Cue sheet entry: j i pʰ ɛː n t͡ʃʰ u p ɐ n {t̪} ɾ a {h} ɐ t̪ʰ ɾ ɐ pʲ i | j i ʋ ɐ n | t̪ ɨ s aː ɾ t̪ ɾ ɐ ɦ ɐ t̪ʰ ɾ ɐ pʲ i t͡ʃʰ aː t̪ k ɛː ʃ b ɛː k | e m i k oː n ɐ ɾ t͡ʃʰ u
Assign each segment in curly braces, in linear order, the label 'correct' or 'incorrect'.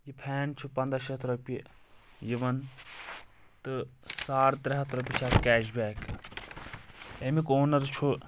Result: incorrect: d̪, incorrect: ʃ

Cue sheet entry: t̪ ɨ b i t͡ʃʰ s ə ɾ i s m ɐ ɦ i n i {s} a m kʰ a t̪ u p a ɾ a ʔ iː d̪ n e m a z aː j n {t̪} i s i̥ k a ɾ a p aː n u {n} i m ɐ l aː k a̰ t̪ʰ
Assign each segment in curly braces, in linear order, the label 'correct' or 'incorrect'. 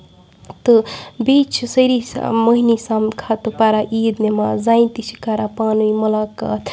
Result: correct, correct, incorrect: none

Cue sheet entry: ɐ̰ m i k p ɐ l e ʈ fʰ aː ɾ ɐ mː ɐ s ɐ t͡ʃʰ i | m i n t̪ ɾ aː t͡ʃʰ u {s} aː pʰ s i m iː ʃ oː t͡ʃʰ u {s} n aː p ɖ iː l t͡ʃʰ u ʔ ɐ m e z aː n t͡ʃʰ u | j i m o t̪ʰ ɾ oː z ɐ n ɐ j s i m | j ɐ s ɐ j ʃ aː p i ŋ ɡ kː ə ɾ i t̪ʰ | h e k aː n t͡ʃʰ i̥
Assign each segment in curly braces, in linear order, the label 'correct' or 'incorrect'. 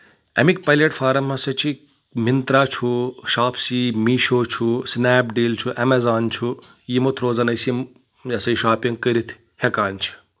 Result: incorrect: ʃ, correct

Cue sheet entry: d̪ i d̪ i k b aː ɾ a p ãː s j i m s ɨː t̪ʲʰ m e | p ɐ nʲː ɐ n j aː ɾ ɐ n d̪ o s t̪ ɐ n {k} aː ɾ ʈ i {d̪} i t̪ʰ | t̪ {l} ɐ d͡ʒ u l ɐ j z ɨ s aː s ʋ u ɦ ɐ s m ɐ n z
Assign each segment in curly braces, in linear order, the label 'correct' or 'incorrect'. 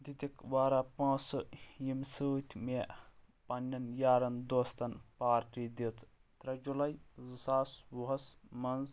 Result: incorrect: p, correct, incorrect: ɾ

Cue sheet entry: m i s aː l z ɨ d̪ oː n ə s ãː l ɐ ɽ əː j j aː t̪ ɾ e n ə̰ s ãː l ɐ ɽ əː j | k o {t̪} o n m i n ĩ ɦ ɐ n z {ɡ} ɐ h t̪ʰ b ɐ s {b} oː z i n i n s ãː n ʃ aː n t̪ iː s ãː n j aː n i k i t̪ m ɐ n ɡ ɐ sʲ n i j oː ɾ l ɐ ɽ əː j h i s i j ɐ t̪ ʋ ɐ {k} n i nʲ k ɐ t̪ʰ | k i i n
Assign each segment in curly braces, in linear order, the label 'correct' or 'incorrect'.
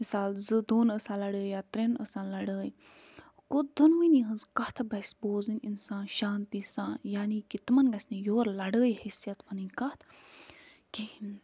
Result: incorrect: d̪, incorrect: k, correct, incorrect: none

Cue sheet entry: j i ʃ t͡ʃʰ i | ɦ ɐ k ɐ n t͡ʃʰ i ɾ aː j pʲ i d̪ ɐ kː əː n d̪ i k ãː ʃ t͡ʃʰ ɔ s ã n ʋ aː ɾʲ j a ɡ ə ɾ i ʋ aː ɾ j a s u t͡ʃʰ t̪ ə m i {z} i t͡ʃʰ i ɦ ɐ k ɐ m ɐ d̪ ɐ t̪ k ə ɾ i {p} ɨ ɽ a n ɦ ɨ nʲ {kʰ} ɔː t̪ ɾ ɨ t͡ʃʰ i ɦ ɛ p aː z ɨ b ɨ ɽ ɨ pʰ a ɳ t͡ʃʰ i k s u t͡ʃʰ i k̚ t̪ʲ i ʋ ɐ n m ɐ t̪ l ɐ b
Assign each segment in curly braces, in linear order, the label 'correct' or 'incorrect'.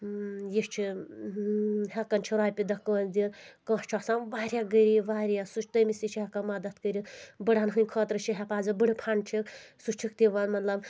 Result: incorrect: s, incorrect: b, correct

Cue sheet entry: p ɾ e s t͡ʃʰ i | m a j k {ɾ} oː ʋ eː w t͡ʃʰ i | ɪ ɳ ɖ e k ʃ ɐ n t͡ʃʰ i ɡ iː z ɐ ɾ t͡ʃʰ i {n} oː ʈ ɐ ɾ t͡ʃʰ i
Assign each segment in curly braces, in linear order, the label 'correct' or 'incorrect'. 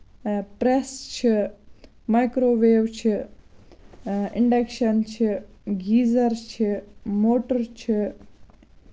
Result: correct, incorrect: m

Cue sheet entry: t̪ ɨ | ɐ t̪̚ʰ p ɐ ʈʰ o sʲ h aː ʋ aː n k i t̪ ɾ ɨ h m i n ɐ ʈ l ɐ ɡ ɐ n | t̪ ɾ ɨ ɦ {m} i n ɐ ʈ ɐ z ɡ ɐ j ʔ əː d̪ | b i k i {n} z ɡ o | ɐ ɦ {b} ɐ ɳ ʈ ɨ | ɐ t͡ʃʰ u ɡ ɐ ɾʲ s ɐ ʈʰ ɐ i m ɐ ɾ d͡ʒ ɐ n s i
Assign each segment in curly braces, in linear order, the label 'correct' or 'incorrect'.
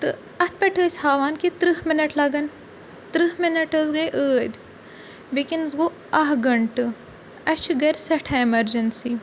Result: correct, correct, incorrect: ɡ

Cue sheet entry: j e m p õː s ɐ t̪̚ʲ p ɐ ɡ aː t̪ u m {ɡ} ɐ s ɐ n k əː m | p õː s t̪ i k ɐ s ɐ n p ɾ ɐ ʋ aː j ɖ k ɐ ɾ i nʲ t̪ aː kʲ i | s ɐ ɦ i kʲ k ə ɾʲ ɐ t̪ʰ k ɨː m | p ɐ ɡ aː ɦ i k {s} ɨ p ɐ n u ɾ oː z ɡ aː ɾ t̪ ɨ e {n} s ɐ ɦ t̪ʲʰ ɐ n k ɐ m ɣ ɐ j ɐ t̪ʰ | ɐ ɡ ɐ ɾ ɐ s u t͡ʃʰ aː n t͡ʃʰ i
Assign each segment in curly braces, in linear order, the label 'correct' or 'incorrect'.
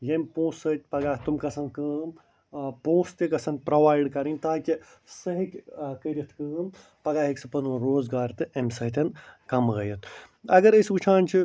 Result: incorrect: k, correct, incorrect: m

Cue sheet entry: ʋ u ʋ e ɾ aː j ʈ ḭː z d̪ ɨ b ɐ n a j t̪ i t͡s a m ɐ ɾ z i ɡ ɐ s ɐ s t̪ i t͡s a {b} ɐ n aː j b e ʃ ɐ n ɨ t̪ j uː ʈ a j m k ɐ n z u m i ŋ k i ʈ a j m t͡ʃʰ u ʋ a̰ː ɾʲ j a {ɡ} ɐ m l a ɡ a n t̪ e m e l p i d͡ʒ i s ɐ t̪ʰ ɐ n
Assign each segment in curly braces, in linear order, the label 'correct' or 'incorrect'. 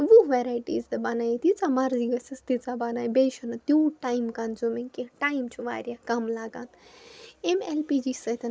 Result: correct, incorrect: k

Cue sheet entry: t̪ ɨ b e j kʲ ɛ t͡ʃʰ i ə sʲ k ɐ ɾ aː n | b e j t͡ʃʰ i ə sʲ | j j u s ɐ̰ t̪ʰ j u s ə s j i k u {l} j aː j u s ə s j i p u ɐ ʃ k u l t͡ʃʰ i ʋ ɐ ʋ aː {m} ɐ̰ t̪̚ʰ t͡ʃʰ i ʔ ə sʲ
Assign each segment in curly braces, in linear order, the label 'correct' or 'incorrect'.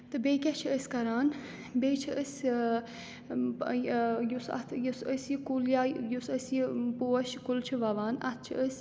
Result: correct, incorrect: n

